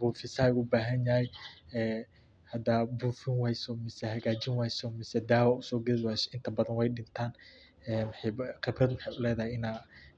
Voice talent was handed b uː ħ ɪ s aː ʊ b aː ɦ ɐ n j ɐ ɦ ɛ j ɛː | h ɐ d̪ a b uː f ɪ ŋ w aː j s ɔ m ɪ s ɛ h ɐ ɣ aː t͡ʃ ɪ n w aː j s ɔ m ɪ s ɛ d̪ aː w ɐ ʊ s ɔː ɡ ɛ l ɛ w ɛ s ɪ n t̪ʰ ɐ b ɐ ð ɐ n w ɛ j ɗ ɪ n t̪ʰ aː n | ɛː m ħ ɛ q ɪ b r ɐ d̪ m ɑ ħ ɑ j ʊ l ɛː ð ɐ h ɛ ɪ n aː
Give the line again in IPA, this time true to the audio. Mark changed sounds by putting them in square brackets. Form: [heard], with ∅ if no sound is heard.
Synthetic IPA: b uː [f] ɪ s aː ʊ b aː ɦ ɐ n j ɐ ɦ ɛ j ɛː | h ɐ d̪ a b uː f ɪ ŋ w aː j s ɔ m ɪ s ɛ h ɐ ɣ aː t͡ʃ ɪ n w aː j s ɔ m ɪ s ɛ d̪ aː w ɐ ʊ s ɔː ɡ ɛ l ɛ w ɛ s ɪ n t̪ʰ ɐ b ɐ ð ɐ n w ɛ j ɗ ɪ n t̪ʰ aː n | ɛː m ħ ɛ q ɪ b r ɐ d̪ m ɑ ħ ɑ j ʊ l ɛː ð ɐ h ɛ ɪ n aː